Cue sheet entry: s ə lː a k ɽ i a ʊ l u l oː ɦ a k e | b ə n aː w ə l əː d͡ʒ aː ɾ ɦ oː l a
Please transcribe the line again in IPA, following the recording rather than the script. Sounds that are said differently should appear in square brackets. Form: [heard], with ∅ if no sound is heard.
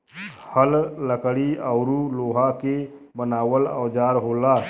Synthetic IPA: [h] ə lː [ə] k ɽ i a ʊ [ɾ] u l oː ɦ a k e | b ə n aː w ə l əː d͡ʒ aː ɾ ɦ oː l a

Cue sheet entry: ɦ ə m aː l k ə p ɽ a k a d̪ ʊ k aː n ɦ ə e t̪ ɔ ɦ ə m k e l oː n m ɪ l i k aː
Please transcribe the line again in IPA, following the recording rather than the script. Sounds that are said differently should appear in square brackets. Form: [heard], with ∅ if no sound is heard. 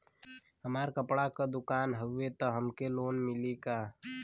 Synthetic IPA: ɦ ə m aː [ɾ] k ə p ɽ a k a d̪ ʊ k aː n ɦ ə e t̪ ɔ ɦ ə m k e l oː n m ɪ l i k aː

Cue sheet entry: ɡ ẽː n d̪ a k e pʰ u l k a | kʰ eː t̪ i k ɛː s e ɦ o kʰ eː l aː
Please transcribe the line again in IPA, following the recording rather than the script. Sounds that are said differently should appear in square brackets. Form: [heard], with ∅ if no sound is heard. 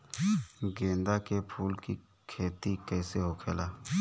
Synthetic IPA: ɡ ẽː n d̪ a k e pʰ [uː] l k [i] | kʰ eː t̪ i k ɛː s e ɦ o kʰ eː l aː

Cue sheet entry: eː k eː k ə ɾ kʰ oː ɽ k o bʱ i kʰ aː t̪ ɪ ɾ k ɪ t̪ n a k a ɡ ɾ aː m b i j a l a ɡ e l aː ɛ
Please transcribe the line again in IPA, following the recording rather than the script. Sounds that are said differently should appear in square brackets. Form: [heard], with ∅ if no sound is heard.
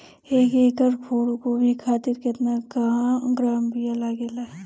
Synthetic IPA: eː k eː k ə ɾ kʰ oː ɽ k o bʱ i kʰ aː t̪ ɪ ɾ k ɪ t̪ n a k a ɡ ɾ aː m b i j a l a ɡ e l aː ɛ

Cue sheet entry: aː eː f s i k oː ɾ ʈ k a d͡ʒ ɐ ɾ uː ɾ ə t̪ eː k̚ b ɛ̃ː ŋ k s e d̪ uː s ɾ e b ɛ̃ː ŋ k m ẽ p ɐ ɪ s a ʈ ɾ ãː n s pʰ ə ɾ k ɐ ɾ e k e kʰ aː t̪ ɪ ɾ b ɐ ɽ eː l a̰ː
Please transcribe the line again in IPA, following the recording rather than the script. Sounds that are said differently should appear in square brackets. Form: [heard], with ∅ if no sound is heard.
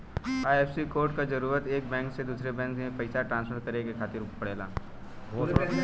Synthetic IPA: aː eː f s i k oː ɾ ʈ k a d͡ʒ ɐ ɾ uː ɾ ə t̪ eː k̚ b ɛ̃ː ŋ k s e d̪ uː s ɾ e b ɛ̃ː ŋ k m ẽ p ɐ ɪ s a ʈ ɾ ãː n s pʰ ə ɾ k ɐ ɾ e k e kʰ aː t̪ ɪ ɾ [p] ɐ ɽ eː l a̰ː

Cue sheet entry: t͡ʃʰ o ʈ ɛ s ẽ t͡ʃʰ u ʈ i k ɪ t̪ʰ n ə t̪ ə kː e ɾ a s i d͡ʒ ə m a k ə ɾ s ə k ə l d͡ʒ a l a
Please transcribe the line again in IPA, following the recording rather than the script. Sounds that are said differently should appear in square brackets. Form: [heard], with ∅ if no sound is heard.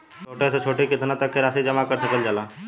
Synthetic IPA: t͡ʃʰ o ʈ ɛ s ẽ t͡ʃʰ [o] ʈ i k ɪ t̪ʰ n [a] t̪ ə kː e ɾ a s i d͡ʒ ə m a k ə ɾ s ə k ə l d͡ʒ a l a

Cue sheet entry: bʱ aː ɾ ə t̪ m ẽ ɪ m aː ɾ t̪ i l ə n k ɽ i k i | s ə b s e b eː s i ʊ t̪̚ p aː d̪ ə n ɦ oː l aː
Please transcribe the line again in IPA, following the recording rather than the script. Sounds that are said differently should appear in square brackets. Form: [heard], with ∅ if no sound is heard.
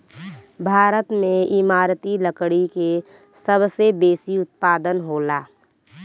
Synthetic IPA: bʱ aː ɾ ə t̪ m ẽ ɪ m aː ɾ t̪ i l ə [∅] k ɽ i k [e] | s ə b s e b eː s i ʊ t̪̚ p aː d̪ ə n ɦ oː l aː

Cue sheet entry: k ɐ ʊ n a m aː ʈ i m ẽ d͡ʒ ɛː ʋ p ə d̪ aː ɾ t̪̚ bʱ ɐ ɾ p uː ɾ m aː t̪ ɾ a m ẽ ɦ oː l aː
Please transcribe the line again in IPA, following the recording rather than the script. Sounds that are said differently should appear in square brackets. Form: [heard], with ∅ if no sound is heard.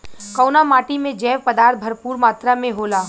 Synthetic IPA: k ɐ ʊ n a m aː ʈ i m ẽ d͡ʒ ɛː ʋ p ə d̪ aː ɾ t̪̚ bʱ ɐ ɾ p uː ɾ m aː t̪ ɾ a m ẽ ɦ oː l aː

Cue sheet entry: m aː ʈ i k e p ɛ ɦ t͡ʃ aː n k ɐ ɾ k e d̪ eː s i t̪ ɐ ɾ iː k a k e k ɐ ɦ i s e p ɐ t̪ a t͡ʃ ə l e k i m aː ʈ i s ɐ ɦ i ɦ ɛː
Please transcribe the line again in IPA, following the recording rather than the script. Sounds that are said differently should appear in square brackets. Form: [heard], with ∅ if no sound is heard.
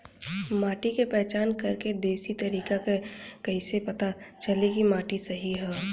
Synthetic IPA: m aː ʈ i k e p ɛ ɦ t͡ʃ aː n k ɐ ɾ k e d̪ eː s i t̪ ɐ ɾ iː k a k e k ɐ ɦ i s e p ɐ t̪ a t͡ʃ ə l e k i m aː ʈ i s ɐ ɦ i ɦ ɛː

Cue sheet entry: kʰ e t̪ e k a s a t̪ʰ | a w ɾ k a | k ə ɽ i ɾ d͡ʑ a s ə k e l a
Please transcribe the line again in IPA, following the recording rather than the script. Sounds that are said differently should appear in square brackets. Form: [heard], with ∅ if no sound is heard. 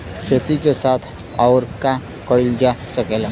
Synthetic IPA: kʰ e t̪ [i] k [e] s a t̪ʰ | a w ɾ k a | k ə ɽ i [l] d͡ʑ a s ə k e l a

